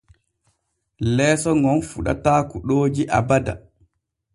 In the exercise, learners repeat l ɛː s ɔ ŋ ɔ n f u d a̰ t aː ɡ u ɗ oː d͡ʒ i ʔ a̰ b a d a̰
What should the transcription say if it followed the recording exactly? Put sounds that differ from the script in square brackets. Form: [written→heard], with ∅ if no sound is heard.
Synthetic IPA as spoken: l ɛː s ɔ ŋ ɔ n f u [d→ɗ] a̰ t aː [ɡ→k] u ɗ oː d͡ʒ i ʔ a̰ b a d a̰

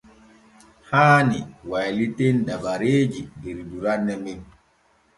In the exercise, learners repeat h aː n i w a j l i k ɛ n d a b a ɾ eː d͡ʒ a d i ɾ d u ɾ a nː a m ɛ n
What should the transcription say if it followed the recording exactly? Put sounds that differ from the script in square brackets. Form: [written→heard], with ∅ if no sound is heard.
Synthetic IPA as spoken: h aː n i w a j l i [k→t] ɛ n d a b a ɾ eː d͡ʒ [a→i] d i ɾ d u ɾ a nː [a→ɛ] m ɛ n

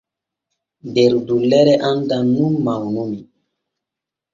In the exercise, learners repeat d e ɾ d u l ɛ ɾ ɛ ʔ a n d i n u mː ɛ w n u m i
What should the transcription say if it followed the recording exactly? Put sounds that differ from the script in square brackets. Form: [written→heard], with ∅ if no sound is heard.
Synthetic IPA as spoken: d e ɾ d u l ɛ ɾ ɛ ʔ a n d [i→a] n u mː [ɛ→a] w n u m i

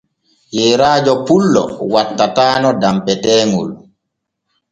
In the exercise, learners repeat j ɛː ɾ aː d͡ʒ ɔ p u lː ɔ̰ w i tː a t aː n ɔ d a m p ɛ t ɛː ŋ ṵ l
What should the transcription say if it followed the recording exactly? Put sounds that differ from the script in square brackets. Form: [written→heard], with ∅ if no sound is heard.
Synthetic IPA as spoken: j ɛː ɾ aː d͡ʒ ɔ p u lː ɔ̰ w [i→a] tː a t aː n ɔ d a m p ɛ t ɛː ŋ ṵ l

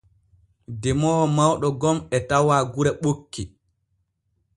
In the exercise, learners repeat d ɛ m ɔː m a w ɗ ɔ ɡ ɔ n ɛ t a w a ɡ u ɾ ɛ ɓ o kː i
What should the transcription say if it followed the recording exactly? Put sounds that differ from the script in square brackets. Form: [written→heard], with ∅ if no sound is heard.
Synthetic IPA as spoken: d ɛ m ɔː m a w ɗ ɔ ɡ ɔ [n→m] ɛ t a w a ɡ u ɾ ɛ ɓ o kː i

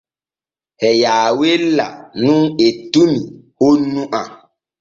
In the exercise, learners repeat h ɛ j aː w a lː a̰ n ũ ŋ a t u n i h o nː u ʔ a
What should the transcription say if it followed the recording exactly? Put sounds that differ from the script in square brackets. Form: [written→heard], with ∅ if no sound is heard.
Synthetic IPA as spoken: h ɛ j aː w [a→e] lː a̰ n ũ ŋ [a→e] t u n i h o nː u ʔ a

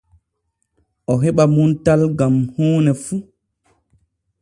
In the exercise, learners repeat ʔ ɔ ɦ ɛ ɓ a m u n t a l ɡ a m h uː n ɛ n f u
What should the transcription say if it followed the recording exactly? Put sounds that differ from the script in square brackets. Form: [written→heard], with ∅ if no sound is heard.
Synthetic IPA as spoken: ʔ ɔ ɦ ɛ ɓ a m u n t a l ɡ a m h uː n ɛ [n→∅] f u

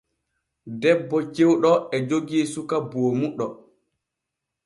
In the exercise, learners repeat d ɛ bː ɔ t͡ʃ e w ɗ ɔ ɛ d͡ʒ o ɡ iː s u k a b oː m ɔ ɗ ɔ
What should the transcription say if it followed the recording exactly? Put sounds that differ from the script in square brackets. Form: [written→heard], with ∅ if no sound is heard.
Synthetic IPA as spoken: d ɛ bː ɔ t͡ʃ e w ɗ ɔ ɛ d͡ʒ o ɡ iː s u k a b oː m [ɔ→u] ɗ ɔ

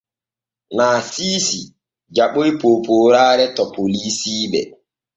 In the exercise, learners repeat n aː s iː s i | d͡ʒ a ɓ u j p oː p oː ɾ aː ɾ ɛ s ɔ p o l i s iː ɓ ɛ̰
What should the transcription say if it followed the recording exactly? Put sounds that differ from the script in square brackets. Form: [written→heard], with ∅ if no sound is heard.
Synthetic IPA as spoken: n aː s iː s i | d͡ʒ a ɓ [u→o] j p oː p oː ɾ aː ɾ ɛ [s→t] ɔ p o l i s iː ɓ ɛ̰

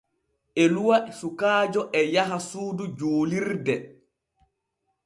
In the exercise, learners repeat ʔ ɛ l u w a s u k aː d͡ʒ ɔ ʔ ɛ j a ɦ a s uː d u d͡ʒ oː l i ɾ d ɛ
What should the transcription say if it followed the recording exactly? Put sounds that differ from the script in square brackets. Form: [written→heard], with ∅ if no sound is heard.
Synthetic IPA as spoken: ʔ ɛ l u w a s u k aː d͡ʒ ɔ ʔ ɛ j a ɦ a s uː d u d͡ʒ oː l i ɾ d ɛ

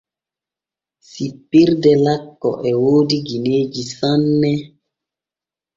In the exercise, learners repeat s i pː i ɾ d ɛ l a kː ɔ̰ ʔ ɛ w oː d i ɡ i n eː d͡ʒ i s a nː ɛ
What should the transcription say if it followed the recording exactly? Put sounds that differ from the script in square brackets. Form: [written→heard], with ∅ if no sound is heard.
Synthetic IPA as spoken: s i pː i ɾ d ɛ l a kː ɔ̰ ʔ ɛ w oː d i ɡ i n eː d͡ʒ i s a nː ɛ

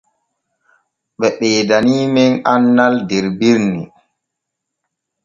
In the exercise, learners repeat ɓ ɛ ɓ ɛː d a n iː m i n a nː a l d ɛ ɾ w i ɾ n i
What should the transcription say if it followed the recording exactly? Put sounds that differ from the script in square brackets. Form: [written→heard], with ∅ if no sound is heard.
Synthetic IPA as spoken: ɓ ɛ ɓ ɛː d a n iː m [i→ɛ] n a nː a l d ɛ ɾ [w→b] i ɾ n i

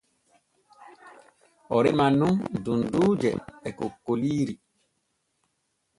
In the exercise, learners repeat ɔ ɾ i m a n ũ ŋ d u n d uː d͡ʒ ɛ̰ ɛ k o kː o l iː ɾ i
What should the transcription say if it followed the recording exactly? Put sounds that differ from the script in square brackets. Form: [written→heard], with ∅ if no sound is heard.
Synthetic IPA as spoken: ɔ ɾ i m a n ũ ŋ d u n d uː d͡ʒ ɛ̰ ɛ k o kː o l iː ɾ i

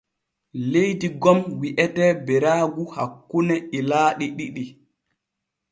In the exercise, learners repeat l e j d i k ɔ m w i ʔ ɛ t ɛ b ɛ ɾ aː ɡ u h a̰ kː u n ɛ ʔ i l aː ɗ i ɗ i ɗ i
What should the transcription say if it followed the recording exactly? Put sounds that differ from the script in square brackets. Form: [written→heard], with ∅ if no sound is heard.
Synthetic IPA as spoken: l e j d i [k→ɡ] ɔ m w i ʔ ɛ t ɛ b ɛ ɾ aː ɡ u h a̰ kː u n ɛ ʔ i l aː ɗ i ɗ i ɗ i

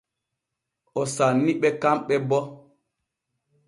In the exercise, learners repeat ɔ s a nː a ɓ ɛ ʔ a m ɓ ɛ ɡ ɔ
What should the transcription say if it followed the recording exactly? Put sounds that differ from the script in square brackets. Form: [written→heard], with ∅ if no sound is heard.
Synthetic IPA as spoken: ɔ s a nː [a→i] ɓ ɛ [ʔ→k] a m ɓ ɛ [ɡ→b] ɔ

